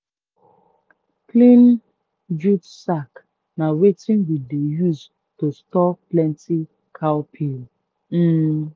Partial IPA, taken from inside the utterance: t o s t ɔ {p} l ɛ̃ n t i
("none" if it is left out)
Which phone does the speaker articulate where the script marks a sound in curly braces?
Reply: p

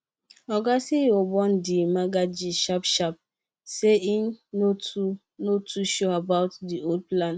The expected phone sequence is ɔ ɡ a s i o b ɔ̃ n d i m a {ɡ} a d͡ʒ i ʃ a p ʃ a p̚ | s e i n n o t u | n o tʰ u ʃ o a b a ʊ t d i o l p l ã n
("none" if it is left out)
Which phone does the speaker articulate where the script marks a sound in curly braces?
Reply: ɡ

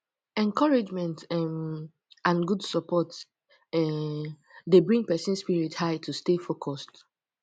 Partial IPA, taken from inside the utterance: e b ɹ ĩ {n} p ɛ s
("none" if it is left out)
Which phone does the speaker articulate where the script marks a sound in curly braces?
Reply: ŋ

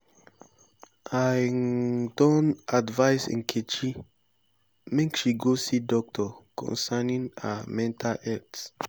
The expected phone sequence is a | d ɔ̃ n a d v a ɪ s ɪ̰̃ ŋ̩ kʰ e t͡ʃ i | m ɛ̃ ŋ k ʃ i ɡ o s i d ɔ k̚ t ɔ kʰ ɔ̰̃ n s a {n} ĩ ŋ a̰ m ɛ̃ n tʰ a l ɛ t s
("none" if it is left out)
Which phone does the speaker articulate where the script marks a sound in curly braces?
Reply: n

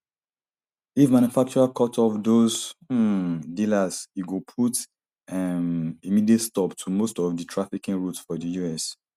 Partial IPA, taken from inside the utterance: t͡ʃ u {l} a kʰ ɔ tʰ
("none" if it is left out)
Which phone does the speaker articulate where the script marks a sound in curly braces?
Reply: ɹ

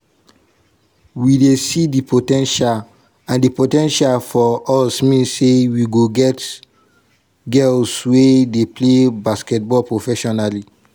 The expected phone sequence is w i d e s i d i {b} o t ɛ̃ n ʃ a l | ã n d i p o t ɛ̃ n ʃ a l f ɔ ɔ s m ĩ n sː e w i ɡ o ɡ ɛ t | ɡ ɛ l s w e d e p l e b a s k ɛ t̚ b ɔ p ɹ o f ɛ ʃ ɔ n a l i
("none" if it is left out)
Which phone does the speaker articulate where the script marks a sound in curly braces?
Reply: p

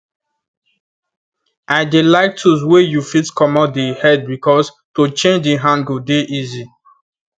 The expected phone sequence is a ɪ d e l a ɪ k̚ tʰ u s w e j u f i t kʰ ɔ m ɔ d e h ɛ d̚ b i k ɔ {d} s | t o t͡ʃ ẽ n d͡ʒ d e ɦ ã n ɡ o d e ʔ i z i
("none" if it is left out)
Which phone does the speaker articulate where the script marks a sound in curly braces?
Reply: none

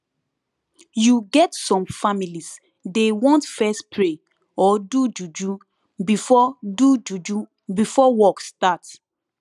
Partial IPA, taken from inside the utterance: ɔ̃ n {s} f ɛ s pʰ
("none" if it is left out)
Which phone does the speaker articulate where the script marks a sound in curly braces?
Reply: t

